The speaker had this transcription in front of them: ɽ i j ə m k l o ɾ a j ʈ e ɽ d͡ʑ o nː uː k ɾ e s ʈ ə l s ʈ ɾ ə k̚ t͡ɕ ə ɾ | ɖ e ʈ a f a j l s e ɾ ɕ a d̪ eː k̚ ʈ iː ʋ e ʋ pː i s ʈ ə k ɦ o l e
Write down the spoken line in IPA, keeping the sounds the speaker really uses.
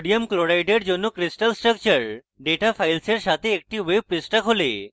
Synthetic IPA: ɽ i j ə m k l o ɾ a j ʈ e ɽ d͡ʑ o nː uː k ɾ i s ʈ ə l s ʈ ɾ ə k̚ t͡ɕ ə ɾ | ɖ e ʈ a f a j l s e ɾ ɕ a t̪ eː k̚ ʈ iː ʋ e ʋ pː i s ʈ ə k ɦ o l e